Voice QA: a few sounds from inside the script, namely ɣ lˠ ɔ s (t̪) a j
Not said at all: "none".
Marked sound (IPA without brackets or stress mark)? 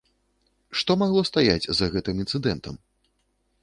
t̪